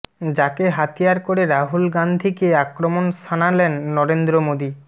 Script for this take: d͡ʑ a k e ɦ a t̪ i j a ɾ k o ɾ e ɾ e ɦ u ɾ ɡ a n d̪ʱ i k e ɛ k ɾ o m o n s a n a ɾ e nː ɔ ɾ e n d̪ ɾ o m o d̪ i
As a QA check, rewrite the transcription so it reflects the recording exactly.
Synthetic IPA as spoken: d͡ʑ a k e ɦ a t̪ i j a ɾ k o ɾ e ɾ a ɦ u l ɡ a n d̪ʱ i k e a k ɾ o m o n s a n a l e nː ɔ ɾ e n d̪ ɾ o m o d̪ i

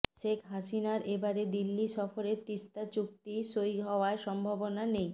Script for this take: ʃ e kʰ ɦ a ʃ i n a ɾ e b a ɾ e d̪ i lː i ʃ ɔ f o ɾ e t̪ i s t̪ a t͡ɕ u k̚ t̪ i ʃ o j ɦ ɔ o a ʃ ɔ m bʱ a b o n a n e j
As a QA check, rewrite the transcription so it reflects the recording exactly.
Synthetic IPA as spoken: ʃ e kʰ ɦ a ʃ i n a ɾ e b a ɾ e d̪ i lː i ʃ ɔ f o ɾ e t̪ i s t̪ a t͡ɕ u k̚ t̪ i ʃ o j ɦ ɔ o a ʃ ɔ m bʱ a b o n a n e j

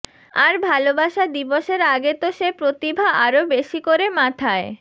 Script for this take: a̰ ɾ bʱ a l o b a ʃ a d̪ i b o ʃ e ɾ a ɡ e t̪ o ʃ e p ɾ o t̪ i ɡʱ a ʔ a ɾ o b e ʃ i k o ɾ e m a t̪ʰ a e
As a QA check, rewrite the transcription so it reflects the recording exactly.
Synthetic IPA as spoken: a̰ ɾ bʱ a l o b a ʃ a d̪ i b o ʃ e ɾ a ɡ e t̪ o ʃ e p ɾ o t̪ i bʱ a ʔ a ɾ o b e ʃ i k o ɾ e m a t̪ʰ a e

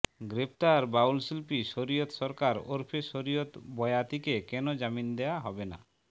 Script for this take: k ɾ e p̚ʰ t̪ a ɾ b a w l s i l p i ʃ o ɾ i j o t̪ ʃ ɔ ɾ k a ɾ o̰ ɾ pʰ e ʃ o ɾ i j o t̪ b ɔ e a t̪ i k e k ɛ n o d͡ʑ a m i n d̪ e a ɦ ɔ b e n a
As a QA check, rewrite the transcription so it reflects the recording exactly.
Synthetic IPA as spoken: ɡ ɾ e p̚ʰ t̪ a ɾ b a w l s i l p i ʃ o ɾ i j o t̪ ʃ ɔ ɾ k a ɾ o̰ ɾ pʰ e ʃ o ɾ i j o t̪ b ɔ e a t̪ i k e k ɛ n o d͡ʑ a m i n d̪ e a ɦ ɔ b e n a

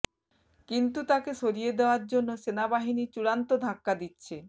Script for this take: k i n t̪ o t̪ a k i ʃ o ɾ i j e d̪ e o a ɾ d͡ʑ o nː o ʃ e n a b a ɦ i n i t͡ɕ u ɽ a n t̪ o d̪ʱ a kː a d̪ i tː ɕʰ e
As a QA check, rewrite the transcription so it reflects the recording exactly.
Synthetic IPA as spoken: k i n t̪ u t̪ a k e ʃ o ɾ i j e d̪ e o a ɾ d͡ʑ o nː o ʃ e n a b a ɦ i n i t͡ɕ u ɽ a n t̪ o d̪ʱ a kː a d̪ i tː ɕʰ e

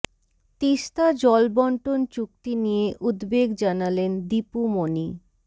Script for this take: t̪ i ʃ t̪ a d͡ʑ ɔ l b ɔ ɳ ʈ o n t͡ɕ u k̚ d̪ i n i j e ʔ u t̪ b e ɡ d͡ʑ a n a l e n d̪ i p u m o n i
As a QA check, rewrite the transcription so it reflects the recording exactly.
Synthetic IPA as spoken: t̪ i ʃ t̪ a d͡ʑ ɔ l b ɔ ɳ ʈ o n t͡ɕ u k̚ t̪ i n i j e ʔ u d̪ b e ɡ d͡ʑ a n a l e n d̪ i p u m o n i

